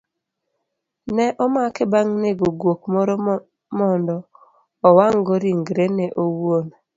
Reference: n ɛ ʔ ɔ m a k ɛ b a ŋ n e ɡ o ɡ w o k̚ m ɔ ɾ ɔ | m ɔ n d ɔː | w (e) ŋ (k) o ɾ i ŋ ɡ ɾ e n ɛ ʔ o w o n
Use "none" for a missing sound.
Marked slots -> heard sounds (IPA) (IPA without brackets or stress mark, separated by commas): a, ɡ